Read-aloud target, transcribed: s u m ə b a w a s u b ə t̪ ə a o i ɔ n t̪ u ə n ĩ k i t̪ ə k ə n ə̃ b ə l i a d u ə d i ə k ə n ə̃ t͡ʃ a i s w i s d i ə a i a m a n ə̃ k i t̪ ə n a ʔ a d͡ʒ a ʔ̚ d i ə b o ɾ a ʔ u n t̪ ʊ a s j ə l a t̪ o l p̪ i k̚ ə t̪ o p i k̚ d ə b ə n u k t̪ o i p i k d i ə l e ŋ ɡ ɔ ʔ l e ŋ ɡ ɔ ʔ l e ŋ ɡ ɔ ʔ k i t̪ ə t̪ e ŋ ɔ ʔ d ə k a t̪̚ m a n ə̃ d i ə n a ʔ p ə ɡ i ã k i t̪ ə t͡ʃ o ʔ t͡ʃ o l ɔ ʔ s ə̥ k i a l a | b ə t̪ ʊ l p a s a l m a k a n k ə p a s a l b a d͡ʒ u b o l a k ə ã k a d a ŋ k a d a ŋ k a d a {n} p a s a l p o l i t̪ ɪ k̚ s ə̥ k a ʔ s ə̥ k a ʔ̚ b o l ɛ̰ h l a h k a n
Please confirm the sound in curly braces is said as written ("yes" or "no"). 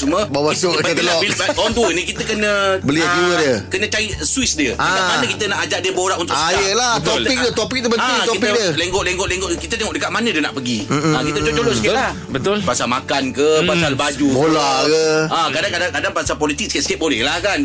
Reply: no